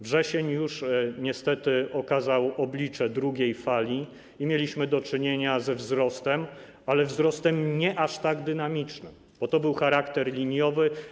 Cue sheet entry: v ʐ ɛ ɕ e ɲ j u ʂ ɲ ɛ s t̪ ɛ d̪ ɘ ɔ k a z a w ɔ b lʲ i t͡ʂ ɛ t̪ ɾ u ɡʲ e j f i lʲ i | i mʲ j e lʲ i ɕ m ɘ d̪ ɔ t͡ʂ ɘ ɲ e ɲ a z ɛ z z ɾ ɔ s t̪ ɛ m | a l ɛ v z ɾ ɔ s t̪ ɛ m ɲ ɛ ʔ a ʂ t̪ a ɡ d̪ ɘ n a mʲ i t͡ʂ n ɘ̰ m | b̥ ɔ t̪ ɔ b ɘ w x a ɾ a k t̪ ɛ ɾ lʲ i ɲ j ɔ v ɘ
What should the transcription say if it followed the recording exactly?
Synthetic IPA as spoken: v ʐ ɛ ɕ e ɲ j u ʂ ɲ ɛ s t̪ ɛ t̪ ɘ ɔ k a z a w ɔ b lʲ i t͡ʂ ɛ d̪ ɾ u ɡʲ e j f a lʲ i | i mʲ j e lʲ i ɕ m ɘ d̪ ɔ t͡ʂ ɘ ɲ e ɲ a z ɛ v z ɾ ɔ s t̪ ɛ m | a l ɛ v z ɾ ɔ s t̪ ɛ m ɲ ɛ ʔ a ʂ t̪ a ɡ d̪ ɘ n a mʲ i t͡ʂ n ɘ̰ m | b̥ ɔ t̪ ɔ b ɘ w x a ɾ a k t̪ ɛ ɾ lʲ i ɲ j ɔ v ɘ